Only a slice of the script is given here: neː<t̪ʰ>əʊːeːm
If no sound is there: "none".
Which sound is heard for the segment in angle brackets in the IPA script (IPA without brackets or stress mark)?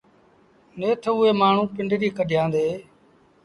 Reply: t̪ʰ